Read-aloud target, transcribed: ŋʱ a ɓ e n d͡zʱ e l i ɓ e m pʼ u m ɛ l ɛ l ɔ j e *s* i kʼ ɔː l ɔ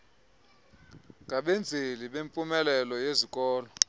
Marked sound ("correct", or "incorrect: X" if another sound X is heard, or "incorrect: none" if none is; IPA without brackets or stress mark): incorrect: z